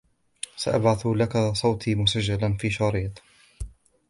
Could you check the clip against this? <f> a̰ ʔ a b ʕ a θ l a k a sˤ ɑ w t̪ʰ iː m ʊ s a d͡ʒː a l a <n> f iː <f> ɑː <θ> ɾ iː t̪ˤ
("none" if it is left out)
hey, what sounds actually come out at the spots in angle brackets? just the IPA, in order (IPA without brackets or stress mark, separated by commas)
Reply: s, n, ʃ, none